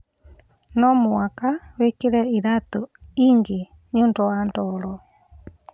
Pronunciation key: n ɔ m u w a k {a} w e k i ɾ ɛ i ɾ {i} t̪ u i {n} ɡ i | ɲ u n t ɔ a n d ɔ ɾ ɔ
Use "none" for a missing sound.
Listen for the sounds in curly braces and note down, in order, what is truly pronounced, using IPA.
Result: a, a, ŋ

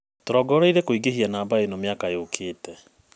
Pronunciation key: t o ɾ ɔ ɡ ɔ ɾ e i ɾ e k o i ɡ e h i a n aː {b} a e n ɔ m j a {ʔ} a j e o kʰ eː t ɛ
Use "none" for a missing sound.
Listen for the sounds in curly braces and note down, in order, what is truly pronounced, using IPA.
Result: b, k

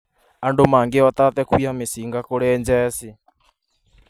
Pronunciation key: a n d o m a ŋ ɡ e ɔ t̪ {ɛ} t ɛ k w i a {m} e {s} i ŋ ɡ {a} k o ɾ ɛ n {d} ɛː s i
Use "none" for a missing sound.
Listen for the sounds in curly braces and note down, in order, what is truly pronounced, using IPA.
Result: a, m, s, a, d͡ʒ

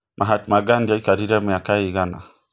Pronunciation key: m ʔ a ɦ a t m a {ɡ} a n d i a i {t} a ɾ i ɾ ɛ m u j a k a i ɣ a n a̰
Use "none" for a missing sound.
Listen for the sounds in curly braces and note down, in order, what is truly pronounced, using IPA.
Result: ɡ, k

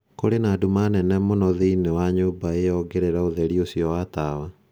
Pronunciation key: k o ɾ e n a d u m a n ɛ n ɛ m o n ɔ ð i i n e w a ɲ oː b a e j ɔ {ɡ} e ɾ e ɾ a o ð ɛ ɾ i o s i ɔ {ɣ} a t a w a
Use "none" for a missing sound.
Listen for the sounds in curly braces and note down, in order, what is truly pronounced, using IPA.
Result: ɡ, w

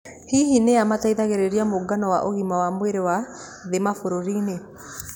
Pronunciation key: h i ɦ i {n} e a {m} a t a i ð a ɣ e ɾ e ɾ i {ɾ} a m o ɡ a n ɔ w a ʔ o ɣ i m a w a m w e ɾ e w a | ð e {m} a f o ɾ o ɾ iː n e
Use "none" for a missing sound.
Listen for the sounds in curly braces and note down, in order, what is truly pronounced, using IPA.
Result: n, m, none, m

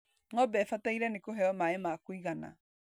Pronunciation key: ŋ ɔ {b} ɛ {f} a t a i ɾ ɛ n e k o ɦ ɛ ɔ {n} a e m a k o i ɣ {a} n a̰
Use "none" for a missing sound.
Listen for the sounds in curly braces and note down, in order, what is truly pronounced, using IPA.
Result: b, f, m, a

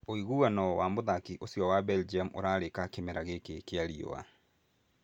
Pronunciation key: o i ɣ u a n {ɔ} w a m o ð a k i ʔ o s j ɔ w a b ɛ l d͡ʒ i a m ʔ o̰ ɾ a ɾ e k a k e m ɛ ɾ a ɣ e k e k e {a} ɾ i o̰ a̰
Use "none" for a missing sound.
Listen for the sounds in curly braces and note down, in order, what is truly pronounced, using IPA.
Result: ɔ, a

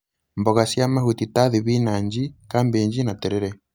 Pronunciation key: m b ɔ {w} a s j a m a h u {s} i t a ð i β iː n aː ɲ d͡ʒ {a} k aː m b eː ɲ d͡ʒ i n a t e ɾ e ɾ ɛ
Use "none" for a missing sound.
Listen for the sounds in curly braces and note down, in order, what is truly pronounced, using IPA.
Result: ɣ, t, i

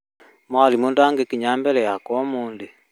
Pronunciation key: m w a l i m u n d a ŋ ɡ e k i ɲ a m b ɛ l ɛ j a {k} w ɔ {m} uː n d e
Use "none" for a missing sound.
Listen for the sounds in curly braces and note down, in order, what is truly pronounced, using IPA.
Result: k, m

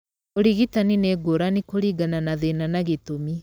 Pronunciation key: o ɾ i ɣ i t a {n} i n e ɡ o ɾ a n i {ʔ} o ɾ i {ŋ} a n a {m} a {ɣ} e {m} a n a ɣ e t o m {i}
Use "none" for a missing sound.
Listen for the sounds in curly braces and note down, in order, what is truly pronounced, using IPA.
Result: n, k, ɡ, n, ð, n, i

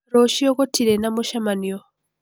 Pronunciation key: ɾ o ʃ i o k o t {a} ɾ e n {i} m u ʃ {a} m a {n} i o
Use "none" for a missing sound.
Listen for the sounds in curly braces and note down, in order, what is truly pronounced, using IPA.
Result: i, a, a, n

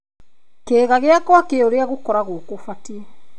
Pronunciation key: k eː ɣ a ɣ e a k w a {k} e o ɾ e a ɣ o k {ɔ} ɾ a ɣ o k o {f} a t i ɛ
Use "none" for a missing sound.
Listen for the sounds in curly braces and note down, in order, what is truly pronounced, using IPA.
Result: k, ɔ, f

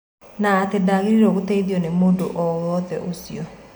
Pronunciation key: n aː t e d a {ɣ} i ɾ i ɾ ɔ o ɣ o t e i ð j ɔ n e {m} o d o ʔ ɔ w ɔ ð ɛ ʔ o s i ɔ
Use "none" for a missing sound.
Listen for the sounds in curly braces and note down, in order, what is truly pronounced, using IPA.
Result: ɣ, m

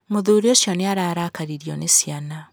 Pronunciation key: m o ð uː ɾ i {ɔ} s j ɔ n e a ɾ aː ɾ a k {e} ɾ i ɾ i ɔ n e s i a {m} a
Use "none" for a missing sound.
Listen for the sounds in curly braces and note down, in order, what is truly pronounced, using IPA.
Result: o, a, n

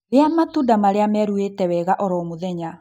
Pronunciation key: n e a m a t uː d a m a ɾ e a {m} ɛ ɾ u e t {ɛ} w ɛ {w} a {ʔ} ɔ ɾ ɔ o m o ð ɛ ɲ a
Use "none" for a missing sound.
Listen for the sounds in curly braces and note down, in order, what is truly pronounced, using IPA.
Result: m, ɛ, ɣ, ʔ

